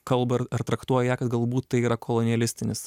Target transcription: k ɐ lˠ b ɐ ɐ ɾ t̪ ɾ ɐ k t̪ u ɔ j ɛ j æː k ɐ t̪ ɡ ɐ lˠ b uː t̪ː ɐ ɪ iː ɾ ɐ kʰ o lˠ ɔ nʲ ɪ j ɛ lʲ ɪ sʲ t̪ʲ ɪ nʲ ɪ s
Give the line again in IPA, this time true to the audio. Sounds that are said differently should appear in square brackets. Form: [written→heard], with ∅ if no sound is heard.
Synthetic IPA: k ɐ lˠ b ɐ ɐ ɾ t̪ ɾ ɐ k t̪ u ɔ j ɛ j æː k ɐ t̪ ɡ ɐ lˠ b uː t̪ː ɐ ɪ iː ɾ ɐ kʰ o lˠ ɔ nʲ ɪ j ɛ lʲ ɪ sʲ t̪ʲ ɪ nʲ ɪ s

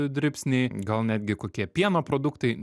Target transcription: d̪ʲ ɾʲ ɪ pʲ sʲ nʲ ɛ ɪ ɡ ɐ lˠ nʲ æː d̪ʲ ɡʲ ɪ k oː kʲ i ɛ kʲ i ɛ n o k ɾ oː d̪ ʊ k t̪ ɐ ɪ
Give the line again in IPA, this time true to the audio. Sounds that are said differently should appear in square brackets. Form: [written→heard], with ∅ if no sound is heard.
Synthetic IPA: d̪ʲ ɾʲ ɪ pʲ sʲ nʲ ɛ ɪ ɡ ɐ lˠ nʲ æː d̪ʲ ɡʲ ɪ k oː kʲ i ɛ [kʲ→pʲ] i ɛ n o [k→p] ɾ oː d̪ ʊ k t̪ ɐ ɪ

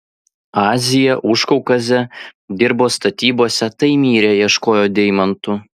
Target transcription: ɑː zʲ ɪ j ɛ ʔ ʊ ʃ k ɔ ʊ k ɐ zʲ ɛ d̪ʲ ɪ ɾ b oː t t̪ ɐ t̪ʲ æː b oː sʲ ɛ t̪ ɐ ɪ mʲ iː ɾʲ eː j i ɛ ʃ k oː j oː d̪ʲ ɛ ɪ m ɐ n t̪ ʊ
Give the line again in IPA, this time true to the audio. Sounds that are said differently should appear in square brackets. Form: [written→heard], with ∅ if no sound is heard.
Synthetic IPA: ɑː zʲ ɪ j ɛ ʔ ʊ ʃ k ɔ ʊ k ɐ zʲ ɛ d̪ʲ ɪ ɾ b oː [t→s] t̪ ɐ t̪ʲ [æː→iː] b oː sʲ ɛ t̪ ɐ ɪ mʲ iː ɾʲ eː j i ɛ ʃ k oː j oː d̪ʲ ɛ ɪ m ɐ n t̪ ʊ

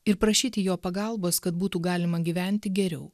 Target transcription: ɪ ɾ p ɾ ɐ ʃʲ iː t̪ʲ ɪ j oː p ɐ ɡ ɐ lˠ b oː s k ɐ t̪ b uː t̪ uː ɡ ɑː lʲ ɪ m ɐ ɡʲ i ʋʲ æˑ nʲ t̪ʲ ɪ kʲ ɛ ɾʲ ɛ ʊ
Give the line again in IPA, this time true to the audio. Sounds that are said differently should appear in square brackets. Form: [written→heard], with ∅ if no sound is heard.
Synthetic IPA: ɪ ɾ p ɾ ɐ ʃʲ iː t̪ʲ ɪ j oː p ɐ ɡ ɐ lˠ b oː s k ɐ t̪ b uː t̪ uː ɡ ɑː lʲ ɪ m ɐ ɡʲ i ʋʲ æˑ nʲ t̪ʲ ɪ [kʲ→ɡʲ] ɛ ɾʲ ɛ ʊ

